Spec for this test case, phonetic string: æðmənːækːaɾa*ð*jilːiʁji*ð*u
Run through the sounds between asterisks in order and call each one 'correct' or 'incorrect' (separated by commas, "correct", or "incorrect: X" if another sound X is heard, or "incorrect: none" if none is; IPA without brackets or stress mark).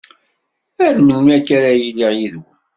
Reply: incorrect: none, correct